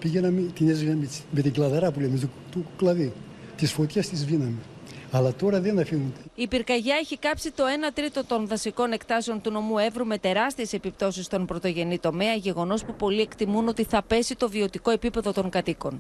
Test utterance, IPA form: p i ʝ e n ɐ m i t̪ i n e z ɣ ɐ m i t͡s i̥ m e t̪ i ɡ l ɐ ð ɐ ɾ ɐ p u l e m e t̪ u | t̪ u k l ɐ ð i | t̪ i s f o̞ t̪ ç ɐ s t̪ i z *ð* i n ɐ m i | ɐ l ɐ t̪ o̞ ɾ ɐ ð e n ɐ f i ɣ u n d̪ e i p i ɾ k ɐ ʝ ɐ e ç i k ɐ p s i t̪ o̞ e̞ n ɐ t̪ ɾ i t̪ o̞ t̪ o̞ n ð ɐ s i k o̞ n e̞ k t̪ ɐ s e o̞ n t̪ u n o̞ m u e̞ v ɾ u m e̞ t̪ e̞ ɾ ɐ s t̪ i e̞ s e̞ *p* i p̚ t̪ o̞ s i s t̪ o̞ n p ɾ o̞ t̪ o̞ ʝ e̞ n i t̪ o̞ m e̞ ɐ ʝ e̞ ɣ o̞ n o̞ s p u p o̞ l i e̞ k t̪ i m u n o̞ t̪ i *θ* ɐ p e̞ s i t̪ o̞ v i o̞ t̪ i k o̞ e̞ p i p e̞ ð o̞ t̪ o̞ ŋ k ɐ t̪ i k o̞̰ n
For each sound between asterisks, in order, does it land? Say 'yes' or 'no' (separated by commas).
no, yes, yes